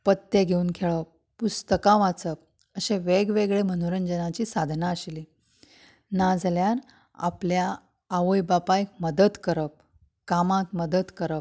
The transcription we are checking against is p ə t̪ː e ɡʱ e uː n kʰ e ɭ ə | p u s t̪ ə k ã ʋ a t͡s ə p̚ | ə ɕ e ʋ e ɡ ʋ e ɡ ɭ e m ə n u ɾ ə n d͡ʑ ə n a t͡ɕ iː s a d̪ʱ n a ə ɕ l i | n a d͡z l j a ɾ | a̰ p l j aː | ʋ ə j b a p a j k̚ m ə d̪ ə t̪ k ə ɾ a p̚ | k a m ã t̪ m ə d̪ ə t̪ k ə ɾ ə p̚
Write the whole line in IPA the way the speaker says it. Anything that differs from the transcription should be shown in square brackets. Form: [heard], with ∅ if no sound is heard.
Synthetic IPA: p ə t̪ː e ɡʱ e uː n kʰ e ɭ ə | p u s t̪ ə k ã ʋ a t͡s ə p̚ | ə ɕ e ʋ e ɡ ʋ e ɡ ɭ e m ə n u ɾ ə n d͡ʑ ə n a t͡ɕ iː s a d̪ʱ n a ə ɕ l i | n a d͡z l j a ɾ | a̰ p l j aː | ʋ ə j b a p a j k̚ m ə d̪ ə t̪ k ə ɾ [ə] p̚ | k a m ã t̪ m ə d̪ ə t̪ k ə ɾ ə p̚